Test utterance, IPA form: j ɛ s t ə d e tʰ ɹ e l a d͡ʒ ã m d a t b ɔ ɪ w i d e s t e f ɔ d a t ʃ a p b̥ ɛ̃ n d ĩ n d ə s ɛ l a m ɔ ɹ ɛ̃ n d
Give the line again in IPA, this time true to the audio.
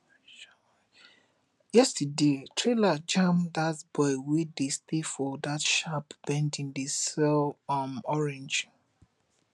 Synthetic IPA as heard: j ɛ s t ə d e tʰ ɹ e l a d͡ʒ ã m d a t b ɔ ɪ w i d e s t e f ɔ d a t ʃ a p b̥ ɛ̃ n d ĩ n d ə s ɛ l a m ɔ ɹ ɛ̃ n d͡ʒ